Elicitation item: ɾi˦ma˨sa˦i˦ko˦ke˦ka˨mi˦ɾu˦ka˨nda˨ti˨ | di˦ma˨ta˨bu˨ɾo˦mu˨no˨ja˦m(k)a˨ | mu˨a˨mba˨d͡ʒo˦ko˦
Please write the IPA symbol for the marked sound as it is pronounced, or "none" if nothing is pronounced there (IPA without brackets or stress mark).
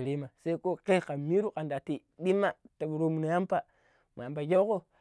p